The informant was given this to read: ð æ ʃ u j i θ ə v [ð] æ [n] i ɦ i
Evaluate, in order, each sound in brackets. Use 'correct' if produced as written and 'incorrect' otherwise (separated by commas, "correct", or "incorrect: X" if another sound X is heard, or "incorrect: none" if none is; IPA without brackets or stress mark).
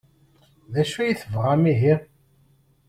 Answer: incorrect: ʁ, incorrect: m